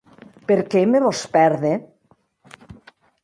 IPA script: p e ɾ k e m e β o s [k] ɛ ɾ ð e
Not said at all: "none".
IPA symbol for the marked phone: p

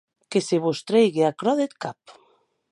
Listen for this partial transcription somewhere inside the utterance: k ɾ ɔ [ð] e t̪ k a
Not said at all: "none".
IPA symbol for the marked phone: ð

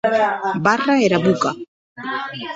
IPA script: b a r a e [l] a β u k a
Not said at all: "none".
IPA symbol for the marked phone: ɾ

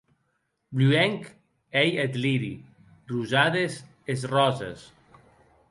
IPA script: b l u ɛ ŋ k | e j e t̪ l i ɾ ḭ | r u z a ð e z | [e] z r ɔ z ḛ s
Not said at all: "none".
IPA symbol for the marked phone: e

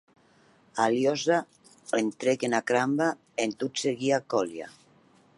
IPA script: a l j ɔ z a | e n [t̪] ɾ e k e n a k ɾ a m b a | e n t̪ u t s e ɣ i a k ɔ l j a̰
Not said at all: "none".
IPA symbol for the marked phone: t̪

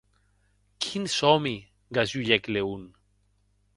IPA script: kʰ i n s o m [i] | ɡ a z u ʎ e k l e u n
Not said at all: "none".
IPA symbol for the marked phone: i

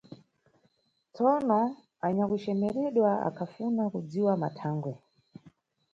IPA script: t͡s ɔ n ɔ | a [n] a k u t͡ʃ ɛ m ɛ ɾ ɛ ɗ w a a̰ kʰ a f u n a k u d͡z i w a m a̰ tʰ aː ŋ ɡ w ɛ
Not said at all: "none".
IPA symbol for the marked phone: ɲ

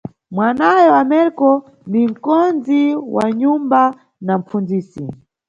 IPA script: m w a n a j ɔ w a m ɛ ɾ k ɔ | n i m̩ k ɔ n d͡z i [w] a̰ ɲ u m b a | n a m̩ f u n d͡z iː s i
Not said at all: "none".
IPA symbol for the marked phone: w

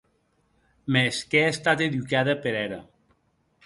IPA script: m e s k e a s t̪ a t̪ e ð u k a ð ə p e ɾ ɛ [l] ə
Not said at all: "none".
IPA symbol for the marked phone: ɾ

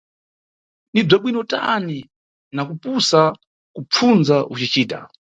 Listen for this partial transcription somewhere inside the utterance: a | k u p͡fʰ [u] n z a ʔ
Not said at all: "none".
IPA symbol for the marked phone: u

